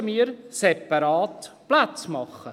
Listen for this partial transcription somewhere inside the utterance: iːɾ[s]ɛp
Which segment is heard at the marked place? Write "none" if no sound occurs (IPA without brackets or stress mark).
s